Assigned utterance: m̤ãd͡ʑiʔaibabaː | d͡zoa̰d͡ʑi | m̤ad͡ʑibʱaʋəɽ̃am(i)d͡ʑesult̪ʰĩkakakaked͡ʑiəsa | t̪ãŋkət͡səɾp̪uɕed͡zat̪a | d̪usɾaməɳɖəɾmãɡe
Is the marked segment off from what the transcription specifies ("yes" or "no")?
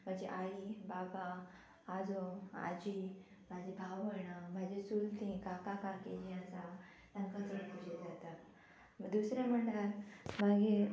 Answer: yes